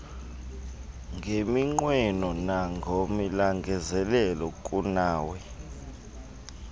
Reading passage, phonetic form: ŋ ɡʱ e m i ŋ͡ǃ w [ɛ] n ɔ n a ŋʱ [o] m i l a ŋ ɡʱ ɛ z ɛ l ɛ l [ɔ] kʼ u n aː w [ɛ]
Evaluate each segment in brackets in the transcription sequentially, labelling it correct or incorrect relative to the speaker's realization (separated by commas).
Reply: correct, correct, correct, correct